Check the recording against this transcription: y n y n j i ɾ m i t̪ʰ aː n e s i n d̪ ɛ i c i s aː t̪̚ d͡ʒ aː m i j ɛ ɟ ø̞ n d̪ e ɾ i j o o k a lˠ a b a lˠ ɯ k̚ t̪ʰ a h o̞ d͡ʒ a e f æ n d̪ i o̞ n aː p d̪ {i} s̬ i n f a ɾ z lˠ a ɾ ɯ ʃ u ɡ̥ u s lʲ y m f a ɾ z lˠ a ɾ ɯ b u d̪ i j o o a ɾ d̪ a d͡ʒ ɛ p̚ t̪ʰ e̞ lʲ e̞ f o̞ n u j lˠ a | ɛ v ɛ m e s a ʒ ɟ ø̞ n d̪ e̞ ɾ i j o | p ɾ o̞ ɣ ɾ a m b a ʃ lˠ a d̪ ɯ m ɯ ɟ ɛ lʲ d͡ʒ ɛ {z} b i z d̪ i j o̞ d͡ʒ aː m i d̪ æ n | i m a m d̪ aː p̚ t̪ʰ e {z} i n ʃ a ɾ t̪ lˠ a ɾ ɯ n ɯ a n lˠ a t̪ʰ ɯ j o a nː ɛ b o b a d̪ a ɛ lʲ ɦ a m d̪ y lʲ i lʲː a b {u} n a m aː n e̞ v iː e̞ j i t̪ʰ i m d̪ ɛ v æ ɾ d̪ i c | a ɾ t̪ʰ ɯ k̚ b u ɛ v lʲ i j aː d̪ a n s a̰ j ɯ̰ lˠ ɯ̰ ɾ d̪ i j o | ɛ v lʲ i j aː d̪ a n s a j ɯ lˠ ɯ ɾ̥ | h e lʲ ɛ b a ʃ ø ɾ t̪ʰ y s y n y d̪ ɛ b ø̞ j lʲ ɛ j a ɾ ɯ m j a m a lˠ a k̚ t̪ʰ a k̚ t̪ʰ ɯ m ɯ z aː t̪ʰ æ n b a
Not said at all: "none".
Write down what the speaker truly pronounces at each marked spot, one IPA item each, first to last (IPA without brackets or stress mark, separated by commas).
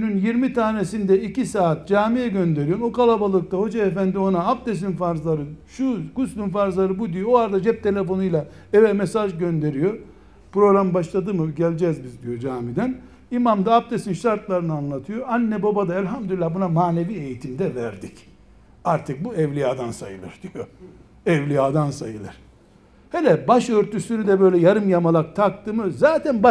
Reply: e, z, s, u